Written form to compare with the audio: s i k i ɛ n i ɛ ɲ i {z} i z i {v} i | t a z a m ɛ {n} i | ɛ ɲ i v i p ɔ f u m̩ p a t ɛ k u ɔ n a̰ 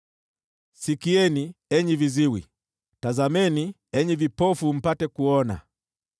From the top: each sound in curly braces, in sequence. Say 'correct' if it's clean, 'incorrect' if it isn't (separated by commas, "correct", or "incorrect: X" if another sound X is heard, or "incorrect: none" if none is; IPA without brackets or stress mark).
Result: incorrect: v, incorrect: w, correct